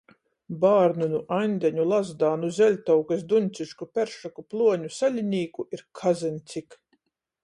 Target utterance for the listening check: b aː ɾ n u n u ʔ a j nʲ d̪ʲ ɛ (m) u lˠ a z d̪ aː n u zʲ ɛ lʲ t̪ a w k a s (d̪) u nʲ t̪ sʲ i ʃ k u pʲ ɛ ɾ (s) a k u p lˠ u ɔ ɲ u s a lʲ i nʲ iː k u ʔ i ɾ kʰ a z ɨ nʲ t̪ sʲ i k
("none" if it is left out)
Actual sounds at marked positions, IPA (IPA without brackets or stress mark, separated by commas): ɲ, d̪, ʃ